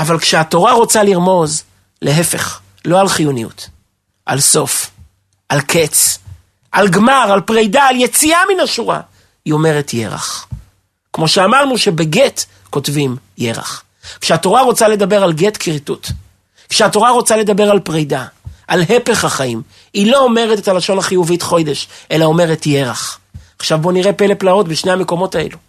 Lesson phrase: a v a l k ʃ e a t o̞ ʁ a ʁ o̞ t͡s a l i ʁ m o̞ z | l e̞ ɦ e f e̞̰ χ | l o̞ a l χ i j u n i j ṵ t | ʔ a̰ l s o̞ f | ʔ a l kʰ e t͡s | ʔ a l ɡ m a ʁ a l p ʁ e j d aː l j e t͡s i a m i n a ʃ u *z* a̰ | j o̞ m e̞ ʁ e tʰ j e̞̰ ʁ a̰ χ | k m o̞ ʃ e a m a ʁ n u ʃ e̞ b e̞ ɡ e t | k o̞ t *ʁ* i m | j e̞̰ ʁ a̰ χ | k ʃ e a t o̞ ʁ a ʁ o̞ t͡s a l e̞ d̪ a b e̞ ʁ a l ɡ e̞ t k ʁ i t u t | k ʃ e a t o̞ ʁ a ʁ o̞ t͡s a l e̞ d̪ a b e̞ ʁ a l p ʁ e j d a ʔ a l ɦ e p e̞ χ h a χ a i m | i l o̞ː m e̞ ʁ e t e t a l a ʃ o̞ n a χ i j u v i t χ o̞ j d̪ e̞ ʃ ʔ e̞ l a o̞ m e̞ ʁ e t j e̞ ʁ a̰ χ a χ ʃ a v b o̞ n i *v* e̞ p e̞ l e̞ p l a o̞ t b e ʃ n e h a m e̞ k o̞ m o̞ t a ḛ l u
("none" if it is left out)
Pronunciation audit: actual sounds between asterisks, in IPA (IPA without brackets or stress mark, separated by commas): ʁ, v, ʁ